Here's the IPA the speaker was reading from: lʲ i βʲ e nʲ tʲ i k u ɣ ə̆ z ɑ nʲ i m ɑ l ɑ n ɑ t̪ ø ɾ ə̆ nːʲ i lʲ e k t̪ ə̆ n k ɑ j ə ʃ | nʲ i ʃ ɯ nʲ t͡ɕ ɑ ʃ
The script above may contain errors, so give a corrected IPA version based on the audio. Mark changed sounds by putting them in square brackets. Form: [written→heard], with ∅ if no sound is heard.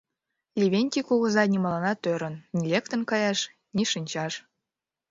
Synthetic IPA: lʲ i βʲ e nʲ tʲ i k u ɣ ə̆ z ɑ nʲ i m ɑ l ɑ n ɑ t̪ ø ɾ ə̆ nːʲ i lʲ e k t̪ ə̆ n k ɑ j [ə→ɑ] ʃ | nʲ i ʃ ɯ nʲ t͡ɕ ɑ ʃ